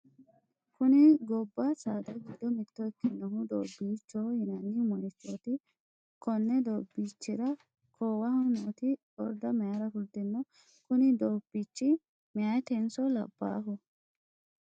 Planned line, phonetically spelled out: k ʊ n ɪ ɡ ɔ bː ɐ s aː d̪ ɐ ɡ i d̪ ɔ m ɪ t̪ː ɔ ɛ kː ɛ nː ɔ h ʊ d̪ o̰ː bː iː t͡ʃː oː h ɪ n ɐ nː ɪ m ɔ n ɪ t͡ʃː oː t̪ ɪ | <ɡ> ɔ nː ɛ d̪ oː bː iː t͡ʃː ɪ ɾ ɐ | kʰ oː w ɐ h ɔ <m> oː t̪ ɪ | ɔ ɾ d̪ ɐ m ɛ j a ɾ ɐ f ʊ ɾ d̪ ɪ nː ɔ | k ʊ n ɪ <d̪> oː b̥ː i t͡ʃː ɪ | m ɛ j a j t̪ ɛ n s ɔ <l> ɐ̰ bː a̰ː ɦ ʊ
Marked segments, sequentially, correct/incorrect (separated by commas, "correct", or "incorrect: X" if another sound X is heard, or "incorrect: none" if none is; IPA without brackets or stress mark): incorrect: k, incorrect: n, correct, correct